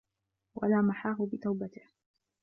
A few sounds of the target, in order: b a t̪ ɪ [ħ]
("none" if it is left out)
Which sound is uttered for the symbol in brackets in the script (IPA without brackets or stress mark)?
h